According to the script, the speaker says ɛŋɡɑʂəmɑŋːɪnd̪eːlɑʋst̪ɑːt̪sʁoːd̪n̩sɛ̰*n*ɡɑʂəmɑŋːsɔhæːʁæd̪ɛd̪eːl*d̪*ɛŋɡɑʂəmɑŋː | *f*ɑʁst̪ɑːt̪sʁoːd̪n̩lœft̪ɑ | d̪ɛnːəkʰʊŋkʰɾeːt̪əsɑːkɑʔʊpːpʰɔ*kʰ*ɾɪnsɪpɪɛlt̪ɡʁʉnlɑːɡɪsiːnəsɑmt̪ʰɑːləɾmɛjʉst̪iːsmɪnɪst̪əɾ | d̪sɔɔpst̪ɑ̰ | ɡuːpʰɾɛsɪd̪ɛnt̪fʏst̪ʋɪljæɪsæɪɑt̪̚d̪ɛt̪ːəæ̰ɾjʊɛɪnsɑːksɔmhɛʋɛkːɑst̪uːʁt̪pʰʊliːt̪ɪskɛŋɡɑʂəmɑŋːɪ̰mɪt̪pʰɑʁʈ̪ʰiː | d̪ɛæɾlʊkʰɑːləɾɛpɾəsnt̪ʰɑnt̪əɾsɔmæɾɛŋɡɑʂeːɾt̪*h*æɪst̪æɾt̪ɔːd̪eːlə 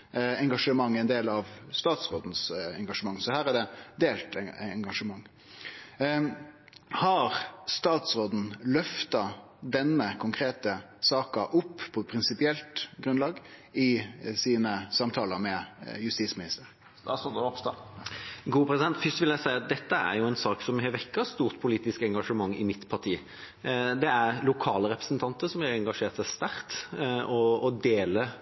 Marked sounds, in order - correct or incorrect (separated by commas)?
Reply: incorrect, incorrect, incorrect, incorrect, incorrect